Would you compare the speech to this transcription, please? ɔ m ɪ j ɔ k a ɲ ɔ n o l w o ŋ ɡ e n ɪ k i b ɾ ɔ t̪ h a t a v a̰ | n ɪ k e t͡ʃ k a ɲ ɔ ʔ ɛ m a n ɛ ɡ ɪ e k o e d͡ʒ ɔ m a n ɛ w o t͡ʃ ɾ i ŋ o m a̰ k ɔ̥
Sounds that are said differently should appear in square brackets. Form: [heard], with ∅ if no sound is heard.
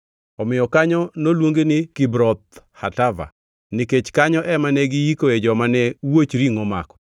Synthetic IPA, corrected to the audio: ɔ m ɪ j ɔ k a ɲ ɔ n o l w o ŋ ɡ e n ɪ k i b ɾ ɔ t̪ h a t a v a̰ | n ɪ k e t͡ʃ k a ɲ ɔ ʔ ɛ m a n ɛ ɡ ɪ [i] k o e d͡ʒ ɔ m a n ɛ w o t͡ʃ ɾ i ŋ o m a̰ k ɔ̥